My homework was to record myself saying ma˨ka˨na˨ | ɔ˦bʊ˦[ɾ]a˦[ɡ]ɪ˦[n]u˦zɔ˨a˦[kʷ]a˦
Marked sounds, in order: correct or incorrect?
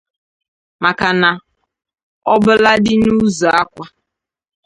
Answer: incorrect: l, incorrect: d, correct, correct

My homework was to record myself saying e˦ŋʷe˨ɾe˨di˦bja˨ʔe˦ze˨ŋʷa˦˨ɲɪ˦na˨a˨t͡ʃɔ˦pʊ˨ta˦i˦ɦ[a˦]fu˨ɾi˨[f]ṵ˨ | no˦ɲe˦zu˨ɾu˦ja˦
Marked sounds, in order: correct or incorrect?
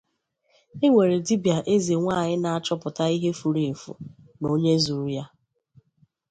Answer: incorrect: e˦, correct

